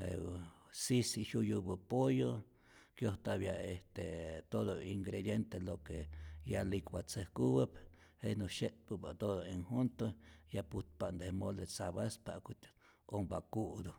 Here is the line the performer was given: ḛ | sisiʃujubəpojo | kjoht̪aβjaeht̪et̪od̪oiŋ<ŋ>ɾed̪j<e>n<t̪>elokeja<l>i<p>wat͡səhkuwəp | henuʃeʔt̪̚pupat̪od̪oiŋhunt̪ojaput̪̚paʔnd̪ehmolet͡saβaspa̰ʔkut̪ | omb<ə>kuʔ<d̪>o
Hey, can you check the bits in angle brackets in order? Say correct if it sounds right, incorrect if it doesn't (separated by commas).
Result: incorrect, correct, correct, correct, incorrect, incorrect, correct